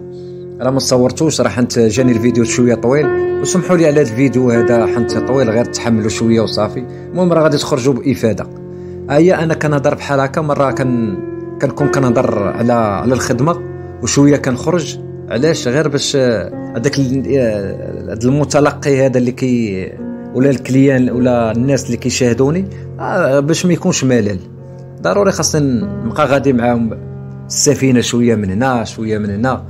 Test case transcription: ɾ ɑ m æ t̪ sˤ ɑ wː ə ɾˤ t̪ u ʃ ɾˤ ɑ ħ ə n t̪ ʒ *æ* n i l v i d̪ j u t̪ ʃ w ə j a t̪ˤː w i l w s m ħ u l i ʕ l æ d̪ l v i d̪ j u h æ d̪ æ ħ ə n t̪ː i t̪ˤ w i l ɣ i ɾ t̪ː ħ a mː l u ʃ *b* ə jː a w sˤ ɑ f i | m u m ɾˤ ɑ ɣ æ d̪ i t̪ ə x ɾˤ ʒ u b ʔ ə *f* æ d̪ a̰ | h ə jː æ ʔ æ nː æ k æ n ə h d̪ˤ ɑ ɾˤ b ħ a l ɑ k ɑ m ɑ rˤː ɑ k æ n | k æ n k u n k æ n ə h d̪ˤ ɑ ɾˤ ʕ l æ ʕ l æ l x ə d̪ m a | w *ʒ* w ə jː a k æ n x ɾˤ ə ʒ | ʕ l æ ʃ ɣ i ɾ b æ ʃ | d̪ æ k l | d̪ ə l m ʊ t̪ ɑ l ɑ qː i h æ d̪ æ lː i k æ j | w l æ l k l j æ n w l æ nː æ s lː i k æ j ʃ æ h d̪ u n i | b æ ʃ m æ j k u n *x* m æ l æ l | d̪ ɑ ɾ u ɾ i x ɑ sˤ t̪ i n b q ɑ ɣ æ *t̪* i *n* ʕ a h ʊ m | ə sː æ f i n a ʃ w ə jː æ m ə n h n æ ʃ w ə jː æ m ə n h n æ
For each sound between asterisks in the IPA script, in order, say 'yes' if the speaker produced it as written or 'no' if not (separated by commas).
yes, no, yes, no, no, no, no